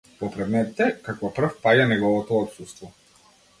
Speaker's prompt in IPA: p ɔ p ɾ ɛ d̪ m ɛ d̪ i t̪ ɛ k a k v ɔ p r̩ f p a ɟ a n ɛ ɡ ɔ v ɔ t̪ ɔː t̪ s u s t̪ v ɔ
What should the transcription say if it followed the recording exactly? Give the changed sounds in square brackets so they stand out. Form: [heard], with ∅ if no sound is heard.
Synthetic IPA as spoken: p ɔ p ɾ ɛ d̪ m ɛ [t̪] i t̪ ɛ k a k v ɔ p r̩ f p a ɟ a n ɛ ɡ ɔ v ɔ t̪ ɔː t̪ s u s t̪ v ɔ